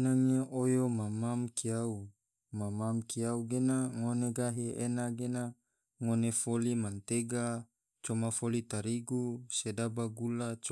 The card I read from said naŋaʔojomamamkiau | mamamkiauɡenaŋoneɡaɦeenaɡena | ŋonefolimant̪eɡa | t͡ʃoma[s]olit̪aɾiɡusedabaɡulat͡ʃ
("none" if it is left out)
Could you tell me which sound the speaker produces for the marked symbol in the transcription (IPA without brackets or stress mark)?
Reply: f